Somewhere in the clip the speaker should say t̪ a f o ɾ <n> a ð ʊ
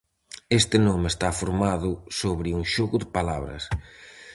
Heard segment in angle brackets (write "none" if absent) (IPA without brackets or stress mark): m